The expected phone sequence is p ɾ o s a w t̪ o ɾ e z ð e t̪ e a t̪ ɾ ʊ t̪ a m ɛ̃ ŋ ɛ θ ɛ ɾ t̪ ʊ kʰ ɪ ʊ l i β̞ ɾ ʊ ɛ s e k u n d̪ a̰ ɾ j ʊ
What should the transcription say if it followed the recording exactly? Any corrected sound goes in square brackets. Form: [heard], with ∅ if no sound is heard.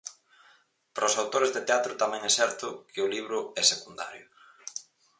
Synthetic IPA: p ɾ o s a w t̪ o ɾ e z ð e t̪ e a t̪ ɾ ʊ t̪ a m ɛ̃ ŋ ɛ [s] ɛ ɾ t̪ ʊ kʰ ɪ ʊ l i β̞ ɾ ʊ ɛ s e k u n d̪ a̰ ɾ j ʊ